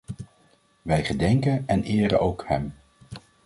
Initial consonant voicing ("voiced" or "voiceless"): voiced